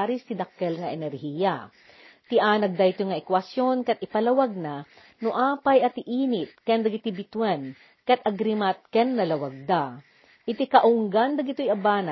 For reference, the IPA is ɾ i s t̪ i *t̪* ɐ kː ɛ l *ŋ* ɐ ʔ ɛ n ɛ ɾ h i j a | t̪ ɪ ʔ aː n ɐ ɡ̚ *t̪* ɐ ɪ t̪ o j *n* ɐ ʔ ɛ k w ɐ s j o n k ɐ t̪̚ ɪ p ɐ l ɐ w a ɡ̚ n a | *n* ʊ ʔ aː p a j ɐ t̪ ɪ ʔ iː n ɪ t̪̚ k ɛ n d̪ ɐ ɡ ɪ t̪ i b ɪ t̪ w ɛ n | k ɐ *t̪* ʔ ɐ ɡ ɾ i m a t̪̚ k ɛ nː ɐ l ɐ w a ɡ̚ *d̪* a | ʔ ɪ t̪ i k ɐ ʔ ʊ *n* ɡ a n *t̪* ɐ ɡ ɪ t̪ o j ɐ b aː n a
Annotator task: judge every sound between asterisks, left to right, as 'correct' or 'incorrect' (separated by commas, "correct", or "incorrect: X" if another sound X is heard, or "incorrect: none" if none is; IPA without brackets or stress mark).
incorrect: d̪, correct, incorrect: d̪, incorrect: ŋ, correct, correct, correct, incorrect: ŋ, incorrect: d̪